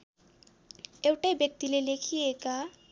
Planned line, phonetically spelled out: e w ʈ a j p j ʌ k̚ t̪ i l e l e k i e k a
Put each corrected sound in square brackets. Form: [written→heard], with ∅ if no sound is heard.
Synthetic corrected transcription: e w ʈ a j [p→b] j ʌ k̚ t̪ i l e l e [k→kʰ] i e k a